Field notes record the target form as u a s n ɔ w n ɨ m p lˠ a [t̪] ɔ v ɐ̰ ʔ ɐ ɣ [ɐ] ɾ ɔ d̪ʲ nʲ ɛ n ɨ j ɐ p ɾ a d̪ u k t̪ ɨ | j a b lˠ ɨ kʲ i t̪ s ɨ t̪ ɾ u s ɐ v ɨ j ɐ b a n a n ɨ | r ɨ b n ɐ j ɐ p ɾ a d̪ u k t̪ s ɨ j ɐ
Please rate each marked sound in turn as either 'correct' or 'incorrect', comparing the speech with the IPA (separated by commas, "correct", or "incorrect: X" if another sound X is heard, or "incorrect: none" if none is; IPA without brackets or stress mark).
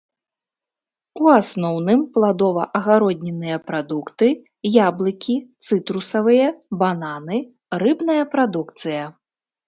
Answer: incorrect: d̪, incorrect: a